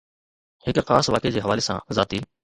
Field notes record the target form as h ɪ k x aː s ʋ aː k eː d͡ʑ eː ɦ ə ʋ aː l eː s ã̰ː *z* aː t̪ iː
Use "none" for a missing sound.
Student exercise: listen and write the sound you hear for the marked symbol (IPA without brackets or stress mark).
z